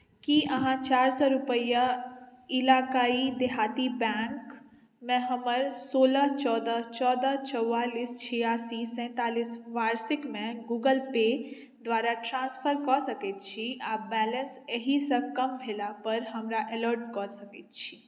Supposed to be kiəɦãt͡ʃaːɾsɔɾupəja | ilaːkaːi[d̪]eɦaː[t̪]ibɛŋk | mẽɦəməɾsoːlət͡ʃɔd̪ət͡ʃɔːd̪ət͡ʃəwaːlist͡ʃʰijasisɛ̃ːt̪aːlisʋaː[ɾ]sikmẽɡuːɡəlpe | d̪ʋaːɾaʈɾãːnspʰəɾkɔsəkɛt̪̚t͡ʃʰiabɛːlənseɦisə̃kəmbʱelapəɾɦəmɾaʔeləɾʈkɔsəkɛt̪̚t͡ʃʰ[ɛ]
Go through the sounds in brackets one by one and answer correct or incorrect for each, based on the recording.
correct, correct, correct, incorrect: i

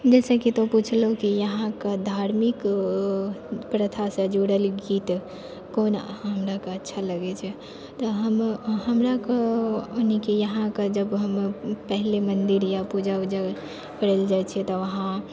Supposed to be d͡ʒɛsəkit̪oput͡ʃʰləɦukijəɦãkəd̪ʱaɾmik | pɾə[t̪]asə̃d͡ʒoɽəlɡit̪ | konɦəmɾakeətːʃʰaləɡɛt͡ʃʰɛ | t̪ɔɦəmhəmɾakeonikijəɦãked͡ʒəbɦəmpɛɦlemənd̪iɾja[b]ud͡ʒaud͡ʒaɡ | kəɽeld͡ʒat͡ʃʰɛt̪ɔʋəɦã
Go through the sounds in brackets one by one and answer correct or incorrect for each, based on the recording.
incorrect: t̪ʰ, incorrect: p

